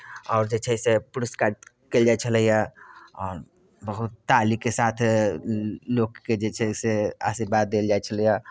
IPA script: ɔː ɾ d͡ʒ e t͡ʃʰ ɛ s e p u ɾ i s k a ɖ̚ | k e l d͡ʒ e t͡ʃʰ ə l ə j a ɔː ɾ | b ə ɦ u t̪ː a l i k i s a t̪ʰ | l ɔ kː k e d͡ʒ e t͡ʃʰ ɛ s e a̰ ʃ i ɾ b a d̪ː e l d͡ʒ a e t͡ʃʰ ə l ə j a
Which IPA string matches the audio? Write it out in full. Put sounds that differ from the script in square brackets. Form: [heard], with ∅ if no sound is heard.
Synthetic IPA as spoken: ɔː ɾ d͡ʒ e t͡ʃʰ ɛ s e p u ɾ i s k a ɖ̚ | k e l d͡ʒ [a] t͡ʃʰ ə l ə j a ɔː ɾ | b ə ɦ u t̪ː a l i k [e] s a t̪ʰ | l [o] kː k e d͡ʒ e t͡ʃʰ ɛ s e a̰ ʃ i ɾ b a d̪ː e l d͡ʒ a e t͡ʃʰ ə l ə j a